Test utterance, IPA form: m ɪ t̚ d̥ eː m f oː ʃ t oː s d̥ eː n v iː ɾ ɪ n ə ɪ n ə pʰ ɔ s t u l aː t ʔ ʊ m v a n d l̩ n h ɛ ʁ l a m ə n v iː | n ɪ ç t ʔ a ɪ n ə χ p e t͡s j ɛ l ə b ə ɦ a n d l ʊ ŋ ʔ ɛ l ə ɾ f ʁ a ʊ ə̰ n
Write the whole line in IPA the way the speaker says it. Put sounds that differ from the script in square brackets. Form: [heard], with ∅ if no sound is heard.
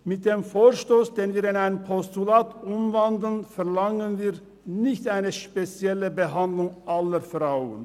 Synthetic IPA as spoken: m ɪ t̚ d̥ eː m f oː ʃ t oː s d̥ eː n v iː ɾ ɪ n [a] ɪ n ə pʰ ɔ s t u l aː t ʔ ʊ m v a n d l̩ n [f] ɛ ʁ l a [ŋ] ə n v iː | n ɪ ç t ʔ a ɪ n ə [ʃ] p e t͡s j ɛ l ə b ə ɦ a n d l ʊ ŋ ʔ [a] l ə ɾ f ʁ a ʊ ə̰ n